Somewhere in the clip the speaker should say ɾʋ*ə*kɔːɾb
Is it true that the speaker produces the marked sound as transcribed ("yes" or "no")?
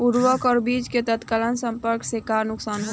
yes